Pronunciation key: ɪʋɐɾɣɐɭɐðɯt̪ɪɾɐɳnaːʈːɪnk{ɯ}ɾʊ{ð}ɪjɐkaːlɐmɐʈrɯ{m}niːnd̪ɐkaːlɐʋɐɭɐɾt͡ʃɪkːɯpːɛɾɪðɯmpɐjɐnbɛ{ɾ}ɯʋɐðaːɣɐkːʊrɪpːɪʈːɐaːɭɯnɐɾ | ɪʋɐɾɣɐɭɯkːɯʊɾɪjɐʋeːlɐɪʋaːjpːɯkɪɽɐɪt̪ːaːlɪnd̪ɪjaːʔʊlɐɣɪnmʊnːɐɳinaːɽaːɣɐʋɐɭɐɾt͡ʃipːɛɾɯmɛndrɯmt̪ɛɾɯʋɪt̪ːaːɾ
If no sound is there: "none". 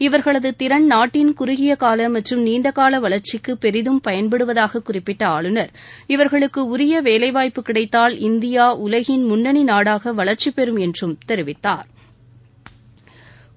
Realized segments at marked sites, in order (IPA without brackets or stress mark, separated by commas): ʊ, ɣ, m, ɽ